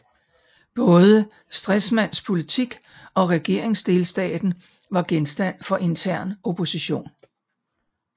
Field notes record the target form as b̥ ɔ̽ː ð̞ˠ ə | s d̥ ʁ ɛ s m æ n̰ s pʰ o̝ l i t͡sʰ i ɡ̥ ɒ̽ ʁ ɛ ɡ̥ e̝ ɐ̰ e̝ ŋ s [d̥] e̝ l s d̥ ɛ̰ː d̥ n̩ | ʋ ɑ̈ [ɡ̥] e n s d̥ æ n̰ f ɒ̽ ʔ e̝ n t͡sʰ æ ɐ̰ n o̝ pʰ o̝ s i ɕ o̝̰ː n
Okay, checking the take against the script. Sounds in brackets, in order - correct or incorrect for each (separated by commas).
correct, correct